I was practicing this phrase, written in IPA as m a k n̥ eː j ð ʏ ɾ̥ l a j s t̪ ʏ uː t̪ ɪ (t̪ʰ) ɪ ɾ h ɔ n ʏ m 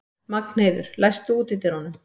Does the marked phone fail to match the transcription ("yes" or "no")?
yes